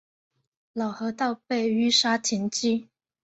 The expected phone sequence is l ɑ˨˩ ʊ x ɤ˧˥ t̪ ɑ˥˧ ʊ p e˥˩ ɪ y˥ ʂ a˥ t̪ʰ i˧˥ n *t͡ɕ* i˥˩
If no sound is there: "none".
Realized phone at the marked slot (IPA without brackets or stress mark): t͡ɕ